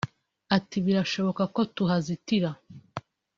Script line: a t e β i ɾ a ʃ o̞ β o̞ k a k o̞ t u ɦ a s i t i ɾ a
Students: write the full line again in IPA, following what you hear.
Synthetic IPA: a t i β i ɾ a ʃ o̞ β o̞ k a k o̞ t u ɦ a z i t i ɾ a

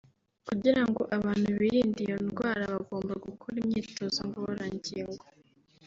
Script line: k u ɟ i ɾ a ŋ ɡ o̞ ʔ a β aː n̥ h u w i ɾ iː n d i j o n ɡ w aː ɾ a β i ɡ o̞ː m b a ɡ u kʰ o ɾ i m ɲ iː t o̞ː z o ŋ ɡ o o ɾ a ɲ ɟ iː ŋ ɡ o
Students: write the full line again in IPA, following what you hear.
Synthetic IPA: k u ɟ i ɾ a ŋ ɡ o̞ ʔ a β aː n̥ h u β i ɾ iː n d i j o n ɡ w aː ɾ a β a ɡ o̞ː m b a ɡ u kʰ o ɾ i m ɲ iː t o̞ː z o ŋ ɡ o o ɾ a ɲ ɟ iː ŋ ɡ o

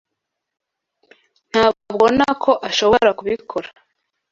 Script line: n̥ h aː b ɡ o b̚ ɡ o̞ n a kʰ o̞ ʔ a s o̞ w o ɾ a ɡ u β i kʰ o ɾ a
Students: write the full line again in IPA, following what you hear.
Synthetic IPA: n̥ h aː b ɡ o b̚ ɡ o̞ n a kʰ o̞ ʔ a ʃ o̞ β o ɾ a k u β i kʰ o ɾ a

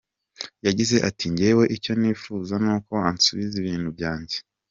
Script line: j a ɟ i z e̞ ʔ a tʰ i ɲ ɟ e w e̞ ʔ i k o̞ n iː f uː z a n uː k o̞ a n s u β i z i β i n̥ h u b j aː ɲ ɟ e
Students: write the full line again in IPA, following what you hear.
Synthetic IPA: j a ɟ i z e̞ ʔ a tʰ i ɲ ɟ e w e̞ ʔ i c o̞ n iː f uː z a n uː k o̞ a n s u β i z i β iː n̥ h u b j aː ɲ ɟ e

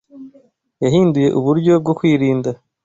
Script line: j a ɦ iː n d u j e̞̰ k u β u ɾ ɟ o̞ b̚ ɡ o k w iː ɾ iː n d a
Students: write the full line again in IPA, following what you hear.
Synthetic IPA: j a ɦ iː n d u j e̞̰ ʔ u β u ɾ ɟ o̞ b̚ ɡ o k w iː ɾ iː n d a

